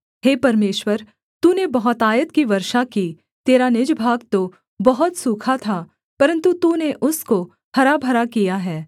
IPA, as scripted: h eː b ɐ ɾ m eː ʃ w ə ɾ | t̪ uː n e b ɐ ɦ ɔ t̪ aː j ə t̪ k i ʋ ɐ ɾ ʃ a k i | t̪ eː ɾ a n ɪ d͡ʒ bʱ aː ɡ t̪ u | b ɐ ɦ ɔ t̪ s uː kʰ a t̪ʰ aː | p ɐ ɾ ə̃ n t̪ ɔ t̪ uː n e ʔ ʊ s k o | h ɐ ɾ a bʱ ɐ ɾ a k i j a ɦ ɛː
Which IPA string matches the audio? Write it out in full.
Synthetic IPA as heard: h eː p ɐ ɾ m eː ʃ w ə ɾ | t̪ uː n e b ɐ ɦ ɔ t̪ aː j ə t̪ k i ʋ ɐ ɾ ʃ a k i | t̪ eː ɾ a n ɪ d͡ʒ bʱ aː ɡ t̪ o | b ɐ ɦ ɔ t̪ s uː kʰ a t̪ʰ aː | p ɐ ɾ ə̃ n t̪ u t̪ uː n e ʔ ʊ s k o | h ɐ ɾ a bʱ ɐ ɾ a k i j a ɦ ɛː